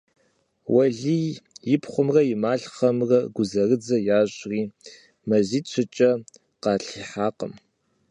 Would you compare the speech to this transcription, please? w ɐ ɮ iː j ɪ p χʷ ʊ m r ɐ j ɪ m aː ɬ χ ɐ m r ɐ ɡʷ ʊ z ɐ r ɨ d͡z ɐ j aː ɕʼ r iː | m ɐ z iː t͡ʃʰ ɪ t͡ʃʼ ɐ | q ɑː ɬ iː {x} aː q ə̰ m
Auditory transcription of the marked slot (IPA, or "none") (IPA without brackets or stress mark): ħ